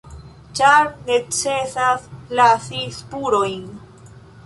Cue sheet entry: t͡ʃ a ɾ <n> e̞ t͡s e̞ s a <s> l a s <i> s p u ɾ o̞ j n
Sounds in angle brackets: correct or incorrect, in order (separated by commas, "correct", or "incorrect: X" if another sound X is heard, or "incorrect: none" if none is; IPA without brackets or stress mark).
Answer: correct, correct, correct